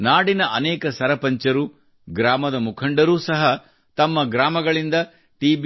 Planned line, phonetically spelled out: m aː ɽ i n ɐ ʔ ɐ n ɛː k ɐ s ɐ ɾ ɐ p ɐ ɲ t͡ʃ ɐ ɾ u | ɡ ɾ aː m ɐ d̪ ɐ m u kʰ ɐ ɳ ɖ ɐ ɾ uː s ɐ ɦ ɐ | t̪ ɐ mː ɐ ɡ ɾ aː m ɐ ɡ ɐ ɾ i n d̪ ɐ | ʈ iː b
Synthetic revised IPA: n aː ɽ i n ɐ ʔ ɐ n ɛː k ɐ s ɐ ɾ ɐ p ɐ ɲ t͡ʃ ɐ ɾ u | ɡ ɾ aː m ɐ d̪ ɐ m u kʰ ɐ ɳ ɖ ɐ ɾ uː s ɐ ɦ ɐ | t̪ ɐ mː ɐ ɡ ɾ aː m ɐ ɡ ɐ ɭ i n d̪ ɐ | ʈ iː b